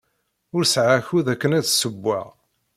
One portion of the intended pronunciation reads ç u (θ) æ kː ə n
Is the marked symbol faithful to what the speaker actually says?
no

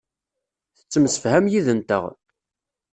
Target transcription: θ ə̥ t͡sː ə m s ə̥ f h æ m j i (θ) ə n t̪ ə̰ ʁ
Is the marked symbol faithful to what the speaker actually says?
no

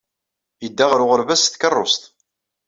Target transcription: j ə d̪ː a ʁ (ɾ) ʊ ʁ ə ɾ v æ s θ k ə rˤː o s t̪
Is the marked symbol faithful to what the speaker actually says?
yes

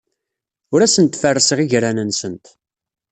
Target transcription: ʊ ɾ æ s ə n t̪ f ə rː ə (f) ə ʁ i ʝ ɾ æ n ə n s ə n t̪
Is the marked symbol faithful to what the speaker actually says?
no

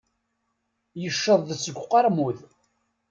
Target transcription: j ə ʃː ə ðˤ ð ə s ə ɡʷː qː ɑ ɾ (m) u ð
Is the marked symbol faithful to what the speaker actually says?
yes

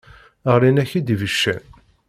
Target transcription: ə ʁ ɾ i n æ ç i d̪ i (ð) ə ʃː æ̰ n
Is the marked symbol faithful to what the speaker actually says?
no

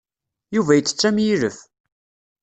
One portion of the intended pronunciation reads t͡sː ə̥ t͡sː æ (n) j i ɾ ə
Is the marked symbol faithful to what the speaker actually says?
no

